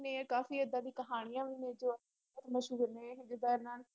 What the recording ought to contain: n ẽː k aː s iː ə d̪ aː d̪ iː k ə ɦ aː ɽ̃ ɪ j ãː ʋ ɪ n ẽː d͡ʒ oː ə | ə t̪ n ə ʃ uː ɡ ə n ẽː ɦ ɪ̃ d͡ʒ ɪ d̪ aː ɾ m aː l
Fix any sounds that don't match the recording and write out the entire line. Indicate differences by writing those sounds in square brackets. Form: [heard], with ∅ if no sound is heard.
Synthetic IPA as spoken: n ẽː k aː [f] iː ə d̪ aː d̪ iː k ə ɦ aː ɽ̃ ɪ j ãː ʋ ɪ n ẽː d͡ʒ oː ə | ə t̪ [m] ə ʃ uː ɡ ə n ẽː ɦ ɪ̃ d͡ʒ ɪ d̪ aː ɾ [n] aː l